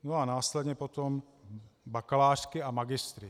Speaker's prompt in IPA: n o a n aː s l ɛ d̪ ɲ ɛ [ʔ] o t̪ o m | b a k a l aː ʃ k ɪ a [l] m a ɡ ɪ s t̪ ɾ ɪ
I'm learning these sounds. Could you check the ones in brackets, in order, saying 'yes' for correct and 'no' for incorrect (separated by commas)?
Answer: no, no